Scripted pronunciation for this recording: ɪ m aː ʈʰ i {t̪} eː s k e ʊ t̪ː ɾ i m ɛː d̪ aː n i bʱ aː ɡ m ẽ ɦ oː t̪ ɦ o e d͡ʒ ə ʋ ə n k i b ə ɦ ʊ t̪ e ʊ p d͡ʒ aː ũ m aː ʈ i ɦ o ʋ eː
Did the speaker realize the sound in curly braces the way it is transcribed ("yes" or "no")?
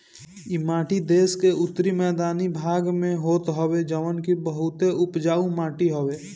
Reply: no